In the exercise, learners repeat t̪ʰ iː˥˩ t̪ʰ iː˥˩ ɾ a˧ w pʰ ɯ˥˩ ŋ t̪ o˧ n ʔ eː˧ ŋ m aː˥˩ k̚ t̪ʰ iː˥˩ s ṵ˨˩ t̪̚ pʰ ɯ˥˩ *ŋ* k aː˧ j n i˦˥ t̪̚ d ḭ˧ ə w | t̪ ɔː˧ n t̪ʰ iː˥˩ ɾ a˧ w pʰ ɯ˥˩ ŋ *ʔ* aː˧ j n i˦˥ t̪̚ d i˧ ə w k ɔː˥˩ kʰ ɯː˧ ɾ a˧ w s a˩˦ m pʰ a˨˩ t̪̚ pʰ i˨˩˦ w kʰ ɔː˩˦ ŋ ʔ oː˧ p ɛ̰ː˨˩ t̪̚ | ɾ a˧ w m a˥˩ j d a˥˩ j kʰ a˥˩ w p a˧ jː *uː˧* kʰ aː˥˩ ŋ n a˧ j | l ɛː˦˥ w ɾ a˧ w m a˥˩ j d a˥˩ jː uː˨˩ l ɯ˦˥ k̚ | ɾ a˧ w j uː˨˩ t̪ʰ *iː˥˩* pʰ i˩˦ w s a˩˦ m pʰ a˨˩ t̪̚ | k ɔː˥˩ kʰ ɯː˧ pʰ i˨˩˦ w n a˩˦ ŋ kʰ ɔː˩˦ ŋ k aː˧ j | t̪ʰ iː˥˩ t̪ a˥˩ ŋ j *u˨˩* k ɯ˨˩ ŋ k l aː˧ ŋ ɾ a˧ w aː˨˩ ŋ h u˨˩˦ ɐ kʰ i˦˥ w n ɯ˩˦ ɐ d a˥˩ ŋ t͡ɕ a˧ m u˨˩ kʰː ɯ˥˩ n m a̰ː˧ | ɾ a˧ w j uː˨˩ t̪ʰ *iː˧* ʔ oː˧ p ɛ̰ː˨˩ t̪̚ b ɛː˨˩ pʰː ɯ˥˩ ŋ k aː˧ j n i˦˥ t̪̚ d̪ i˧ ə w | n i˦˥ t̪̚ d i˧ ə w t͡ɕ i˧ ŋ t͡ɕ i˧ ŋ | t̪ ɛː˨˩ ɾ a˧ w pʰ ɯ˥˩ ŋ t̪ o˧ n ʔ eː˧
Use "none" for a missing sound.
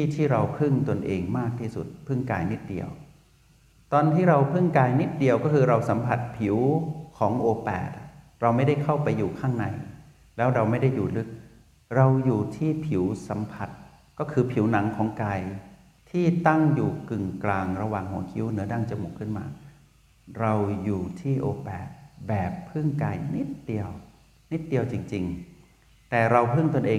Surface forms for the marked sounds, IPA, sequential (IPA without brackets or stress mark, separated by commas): ŋ, k, uː˨˩, iː˥˩, uː˨˩, iː˥˩